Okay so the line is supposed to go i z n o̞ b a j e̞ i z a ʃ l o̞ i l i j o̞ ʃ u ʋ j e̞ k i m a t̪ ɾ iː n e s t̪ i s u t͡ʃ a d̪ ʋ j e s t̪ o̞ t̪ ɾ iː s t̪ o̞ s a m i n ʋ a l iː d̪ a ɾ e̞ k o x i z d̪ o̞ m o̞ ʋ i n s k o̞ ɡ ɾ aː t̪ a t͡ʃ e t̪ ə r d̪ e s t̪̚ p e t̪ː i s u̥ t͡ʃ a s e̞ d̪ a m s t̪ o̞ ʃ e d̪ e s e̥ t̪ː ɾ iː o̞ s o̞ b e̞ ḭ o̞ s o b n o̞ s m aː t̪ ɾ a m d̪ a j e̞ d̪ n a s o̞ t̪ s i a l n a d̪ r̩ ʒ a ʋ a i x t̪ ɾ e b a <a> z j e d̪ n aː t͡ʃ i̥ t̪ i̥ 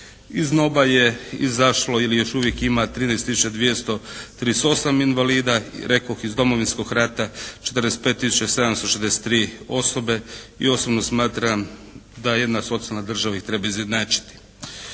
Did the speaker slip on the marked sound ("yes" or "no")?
yes